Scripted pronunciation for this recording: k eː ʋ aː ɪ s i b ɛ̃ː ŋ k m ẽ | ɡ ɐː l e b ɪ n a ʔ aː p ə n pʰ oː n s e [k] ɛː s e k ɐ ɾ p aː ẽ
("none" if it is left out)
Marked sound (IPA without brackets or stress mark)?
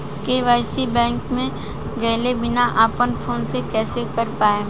k